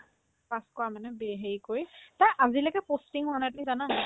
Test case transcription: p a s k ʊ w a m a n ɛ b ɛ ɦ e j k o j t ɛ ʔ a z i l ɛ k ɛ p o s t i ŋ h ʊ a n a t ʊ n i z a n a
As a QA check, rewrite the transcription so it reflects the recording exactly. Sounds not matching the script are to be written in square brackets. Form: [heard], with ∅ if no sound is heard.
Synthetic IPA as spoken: p a s k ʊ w a m a n ɛ b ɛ ɦ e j k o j t [a] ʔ a z i l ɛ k ɛ p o s t i ŋ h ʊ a n a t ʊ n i z a n a